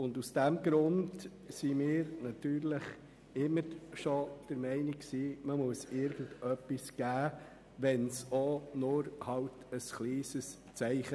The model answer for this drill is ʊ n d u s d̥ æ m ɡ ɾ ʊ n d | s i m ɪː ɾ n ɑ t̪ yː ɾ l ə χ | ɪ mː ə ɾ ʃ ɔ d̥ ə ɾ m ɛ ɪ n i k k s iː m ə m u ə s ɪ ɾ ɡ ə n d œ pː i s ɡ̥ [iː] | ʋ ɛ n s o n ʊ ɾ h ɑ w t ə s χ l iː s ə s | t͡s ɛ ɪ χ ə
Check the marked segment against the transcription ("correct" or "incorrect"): incorrect